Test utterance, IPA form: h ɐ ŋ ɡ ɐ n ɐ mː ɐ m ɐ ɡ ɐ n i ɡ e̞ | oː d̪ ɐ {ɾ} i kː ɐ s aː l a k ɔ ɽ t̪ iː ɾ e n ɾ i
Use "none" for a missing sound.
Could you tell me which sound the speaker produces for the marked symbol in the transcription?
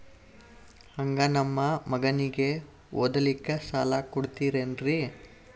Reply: l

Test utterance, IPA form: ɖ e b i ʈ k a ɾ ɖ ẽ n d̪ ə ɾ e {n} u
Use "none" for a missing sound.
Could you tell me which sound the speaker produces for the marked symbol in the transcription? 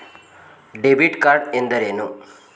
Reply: n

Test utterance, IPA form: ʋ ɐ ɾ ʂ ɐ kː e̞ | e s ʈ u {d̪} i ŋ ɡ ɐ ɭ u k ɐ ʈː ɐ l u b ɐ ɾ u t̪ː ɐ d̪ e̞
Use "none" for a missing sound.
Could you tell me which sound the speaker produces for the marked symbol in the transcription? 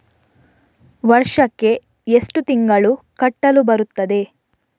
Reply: t̪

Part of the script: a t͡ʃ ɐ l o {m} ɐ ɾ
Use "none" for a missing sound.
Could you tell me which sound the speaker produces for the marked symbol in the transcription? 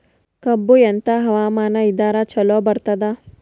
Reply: b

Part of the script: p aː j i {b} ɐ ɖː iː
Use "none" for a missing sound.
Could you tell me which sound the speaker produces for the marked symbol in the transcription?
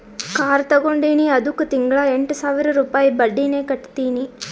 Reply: b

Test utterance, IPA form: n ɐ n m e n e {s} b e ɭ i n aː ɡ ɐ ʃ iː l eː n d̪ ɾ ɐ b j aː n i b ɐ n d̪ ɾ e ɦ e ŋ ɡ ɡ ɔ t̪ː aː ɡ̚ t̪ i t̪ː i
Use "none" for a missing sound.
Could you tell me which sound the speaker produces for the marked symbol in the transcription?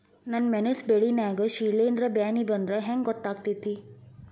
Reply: s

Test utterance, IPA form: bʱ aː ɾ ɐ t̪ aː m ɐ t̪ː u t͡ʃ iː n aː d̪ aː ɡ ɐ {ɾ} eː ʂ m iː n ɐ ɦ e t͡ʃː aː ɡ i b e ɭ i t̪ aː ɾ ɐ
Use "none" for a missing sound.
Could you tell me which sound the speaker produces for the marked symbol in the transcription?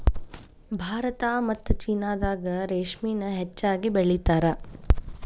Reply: ɾ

